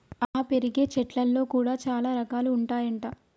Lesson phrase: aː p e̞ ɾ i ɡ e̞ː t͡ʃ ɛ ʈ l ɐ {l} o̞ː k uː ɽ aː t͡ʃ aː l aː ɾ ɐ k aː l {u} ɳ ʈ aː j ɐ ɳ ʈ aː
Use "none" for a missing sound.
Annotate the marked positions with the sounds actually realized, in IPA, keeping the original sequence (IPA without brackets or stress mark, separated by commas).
lː, uː